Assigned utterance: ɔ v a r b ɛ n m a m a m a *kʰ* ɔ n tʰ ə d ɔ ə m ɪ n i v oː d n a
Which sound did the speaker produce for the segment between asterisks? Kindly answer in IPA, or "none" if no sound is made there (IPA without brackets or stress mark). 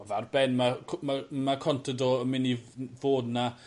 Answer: kʰ